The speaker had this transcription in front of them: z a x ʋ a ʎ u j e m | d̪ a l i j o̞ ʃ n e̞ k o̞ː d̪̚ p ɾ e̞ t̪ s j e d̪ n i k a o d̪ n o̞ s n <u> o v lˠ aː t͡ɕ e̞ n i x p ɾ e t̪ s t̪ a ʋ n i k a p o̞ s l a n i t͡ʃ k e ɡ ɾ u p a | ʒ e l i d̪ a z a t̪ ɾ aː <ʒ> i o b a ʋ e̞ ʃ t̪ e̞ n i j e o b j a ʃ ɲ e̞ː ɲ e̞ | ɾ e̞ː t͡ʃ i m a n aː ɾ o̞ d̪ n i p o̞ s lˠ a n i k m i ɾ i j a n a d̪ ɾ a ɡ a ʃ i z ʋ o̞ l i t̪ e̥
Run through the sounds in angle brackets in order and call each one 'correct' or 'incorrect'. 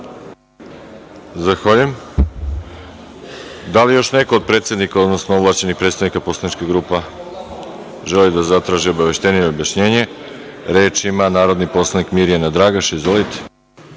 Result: incorrect: o, correct

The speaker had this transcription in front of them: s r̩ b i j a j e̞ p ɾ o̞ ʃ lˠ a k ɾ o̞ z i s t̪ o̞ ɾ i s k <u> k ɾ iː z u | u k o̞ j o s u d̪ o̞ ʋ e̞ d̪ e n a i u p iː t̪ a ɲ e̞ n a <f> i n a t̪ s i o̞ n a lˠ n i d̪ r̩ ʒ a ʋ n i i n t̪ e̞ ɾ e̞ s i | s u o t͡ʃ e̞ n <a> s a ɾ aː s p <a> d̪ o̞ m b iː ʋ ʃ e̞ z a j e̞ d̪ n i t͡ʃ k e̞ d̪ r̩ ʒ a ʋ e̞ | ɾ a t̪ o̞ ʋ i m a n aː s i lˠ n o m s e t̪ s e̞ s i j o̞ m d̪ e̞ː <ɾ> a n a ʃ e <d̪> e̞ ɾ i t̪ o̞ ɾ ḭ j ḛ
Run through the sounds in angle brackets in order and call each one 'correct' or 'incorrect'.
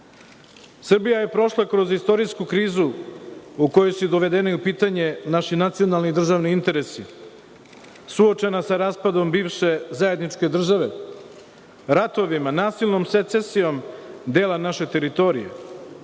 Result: correct, incorrect: ʃ, correct, correct, incorrect: l, incorrect: t̪

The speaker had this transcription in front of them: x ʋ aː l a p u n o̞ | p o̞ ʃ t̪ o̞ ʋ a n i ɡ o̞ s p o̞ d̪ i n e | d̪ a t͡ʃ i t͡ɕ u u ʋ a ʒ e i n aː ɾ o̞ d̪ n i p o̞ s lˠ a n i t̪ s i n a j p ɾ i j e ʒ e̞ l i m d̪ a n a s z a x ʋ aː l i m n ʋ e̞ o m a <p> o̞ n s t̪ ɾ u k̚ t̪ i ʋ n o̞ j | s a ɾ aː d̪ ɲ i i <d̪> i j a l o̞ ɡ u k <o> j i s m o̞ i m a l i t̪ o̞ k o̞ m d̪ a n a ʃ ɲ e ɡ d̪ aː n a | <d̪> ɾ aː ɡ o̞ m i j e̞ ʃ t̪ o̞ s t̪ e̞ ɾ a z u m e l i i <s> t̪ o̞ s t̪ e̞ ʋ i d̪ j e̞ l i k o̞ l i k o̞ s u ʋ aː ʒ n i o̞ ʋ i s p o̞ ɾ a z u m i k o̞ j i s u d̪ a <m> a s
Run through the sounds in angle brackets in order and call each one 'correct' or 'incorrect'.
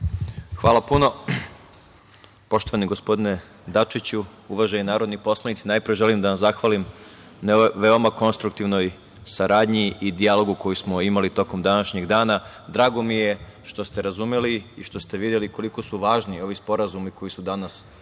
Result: incorrect: k, correct, correct, correct, incorrect: ʃ, incorrect: n

